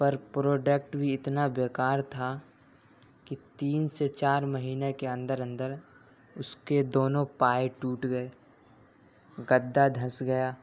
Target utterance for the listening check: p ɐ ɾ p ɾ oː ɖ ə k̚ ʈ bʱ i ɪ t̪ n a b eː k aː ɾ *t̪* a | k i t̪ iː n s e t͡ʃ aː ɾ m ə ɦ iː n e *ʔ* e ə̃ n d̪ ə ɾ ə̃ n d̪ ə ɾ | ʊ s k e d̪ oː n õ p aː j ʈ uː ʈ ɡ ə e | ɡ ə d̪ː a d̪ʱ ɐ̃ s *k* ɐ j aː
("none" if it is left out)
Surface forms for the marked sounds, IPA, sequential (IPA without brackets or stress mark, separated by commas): t̪ʰ, k, ɡ